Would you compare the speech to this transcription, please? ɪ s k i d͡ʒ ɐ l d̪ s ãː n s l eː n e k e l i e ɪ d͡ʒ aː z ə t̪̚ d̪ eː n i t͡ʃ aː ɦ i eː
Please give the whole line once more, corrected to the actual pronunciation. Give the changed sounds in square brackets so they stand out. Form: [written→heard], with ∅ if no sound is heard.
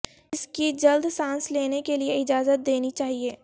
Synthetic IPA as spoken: ɪ s k i d͡ʒ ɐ l d̪ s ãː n s l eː n e k e l i e ɪ d͡ʒ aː z ə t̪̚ d̪ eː n i t͡ʃ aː ɦ i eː